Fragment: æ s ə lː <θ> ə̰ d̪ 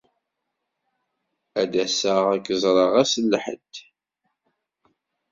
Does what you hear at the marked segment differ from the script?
yes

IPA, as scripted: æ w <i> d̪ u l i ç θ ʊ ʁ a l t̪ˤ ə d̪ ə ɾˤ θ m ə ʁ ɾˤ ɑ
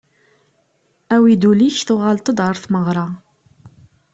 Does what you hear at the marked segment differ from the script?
no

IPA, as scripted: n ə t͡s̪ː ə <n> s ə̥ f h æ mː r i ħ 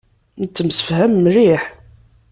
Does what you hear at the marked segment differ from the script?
yes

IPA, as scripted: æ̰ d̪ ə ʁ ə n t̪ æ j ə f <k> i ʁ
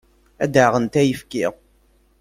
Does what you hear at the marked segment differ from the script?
no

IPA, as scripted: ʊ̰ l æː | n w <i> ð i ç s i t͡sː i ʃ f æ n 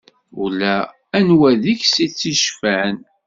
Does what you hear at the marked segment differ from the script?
yes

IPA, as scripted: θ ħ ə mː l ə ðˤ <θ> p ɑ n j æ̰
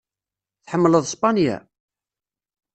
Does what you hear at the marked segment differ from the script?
yes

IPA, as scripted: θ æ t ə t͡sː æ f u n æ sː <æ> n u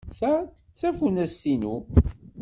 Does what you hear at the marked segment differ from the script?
yes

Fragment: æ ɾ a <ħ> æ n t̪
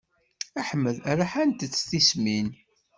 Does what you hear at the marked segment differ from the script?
no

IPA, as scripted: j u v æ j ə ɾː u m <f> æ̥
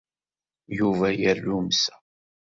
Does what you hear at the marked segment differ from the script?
yes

